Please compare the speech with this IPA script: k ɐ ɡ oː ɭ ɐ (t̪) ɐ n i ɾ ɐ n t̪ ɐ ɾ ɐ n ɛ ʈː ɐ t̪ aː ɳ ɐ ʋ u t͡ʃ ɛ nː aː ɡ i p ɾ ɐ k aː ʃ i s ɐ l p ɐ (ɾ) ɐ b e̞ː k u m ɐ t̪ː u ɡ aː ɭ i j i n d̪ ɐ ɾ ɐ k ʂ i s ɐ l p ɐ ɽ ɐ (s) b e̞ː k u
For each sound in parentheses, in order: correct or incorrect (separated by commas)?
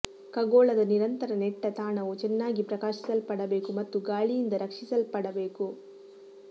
incorrect, incorrect, incorrect